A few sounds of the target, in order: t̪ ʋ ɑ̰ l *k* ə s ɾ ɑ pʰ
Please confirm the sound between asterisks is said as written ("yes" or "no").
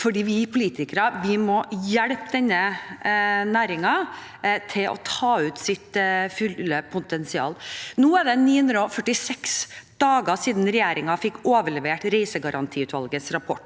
no